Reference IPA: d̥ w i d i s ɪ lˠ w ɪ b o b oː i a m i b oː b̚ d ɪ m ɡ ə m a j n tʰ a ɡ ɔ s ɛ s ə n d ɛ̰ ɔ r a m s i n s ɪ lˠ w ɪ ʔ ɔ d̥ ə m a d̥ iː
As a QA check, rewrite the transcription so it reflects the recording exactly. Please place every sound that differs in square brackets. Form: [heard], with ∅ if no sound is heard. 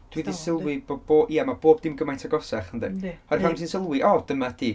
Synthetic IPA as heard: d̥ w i d i s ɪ lˠ w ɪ b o b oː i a m [a] b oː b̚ d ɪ m ɡ ə m a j n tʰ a ɡ ɔ s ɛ [χ] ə n d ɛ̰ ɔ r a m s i n s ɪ lˠ w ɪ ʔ ɔ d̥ ə m a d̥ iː